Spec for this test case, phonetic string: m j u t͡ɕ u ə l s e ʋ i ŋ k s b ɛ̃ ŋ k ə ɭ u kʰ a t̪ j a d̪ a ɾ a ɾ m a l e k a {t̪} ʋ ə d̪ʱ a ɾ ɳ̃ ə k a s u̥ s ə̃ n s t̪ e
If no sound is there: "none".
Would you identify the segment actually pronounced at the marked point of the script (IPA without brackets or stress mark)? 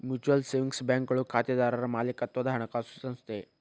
t̪